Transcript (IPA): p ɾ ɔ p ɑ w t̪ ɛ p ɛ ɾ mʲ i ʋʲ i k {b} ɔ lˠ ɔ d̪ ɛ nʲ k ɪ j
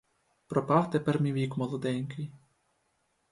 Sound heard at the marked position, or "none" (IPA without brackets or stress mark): m